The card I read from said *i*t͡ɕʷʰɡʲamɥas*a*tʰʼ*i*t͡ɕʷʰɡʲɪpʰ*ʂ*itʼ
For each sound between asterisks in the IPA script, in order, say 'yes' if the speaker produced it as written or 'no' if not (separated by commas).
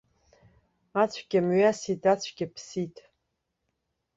no, no, no, no